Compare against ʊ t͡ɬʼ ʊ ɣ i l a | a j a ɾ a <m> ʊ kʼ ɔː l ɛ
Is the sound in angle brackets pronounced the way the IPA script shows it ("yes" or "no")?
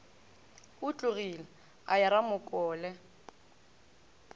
yes